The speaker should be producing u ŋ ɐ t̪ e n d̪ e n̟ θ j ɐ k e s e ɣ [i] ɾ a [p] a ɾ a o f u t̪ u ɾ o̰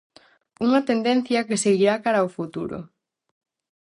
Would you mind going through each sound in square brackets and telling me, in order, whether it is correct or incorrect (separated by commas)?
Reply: correct, incorrect